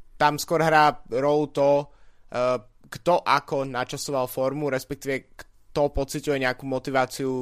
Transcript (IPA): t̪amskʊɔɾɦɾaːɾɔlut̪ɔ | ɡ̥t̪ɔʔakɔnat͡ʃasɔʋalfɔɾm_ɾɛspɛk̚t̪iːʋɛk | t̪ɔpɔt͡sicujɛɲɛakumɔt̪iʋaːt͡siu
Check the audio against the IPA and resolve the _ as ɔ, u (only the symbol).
u